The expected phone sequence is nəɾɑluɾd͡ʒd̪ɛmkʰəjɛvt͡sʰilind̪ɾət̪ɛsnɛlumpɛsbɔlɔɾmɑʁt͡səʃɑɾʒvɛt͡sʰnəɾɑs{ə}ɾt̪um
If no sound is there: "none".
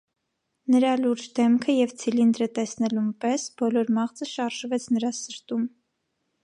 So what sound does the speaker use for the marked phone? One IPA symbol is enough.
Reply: ə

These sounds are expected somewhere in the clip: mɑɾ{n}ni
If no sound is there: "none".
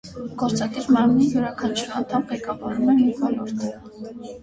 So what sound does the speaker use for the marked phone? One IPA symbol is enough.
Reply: m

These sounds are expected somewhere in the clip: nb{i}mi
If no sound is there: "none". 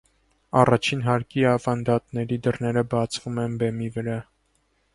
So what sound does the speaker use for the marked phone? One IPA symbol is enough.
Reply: ɛ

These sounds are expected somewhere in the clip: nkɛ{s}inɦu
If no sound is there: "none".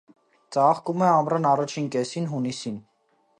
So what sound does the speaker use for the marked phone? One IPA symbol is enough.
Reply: s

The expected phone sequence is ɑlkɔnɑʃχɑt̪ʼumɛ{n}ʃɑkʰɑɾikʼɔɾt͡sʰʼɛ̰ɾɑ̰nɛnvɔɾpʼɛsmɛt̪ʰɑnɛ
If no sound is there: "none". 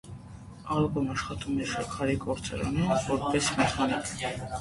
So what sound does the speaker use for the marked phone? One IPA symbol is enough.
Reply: none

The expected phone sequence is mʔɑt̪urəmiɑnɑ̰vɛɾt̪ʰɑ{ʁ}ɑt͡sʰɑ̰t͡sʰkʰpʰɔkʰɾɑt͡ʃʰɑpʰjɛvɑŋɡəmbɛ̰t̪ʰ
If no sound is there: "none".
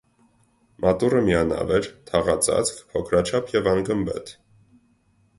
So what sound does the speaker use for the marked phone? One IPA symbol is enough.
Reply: ʁ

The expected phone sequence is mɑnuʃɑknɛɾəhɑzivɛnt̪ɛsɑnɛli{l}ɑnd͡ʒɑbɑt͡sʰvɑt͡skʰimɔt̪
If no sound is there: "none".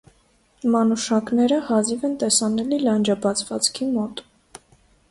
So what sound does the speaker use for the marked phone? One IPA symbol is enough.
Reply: l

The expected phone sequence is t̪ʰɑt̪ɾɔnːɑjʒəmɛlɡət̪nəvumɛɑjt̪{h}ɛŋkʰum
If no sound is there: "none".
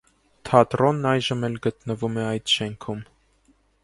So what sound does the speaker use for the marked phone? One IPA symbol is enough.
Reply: ʃ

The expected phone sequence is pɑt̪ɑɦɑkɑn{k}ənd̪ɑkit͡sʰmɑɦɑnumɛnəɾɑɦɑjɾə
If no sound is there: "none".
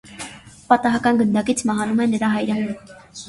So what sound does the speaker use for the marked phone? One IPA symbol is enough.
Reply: ɡ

